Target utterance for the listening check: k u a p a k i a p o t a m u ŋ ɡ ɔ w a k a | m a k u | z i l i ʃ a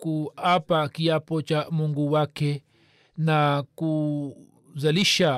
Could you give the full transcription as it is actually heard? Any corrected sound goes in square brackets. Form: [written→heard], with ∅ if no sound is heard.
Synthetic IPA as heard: k u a p a k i a p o [t→t͡ʃ] a m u ŋ ɡ [ɔ→u] w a k [a→e] | [m→n] a k u | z [i→a] l i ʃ a